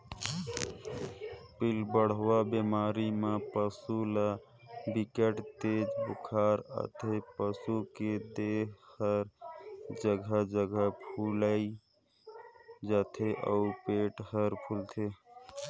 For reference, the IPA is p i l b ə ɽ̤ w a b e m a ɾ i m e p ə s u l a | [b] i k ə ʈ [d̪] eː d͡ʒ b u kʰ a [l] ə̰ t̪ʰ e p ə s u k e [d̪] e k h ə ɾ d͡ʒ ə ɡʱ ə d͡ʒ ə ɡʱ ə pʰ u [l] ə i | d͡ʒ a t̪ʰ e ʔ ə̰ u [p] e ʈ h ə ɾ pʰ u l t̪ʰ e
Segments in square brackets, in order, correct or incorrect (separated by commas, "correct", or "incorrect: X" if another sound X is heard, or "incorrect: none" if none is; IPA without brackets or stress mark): correct, incorrect: t̪, incorrect: ɾ, correct, correct, correct